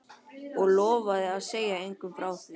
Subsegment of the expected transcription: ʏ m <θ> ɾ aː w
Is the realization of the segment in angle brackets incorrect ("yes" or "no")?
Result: yes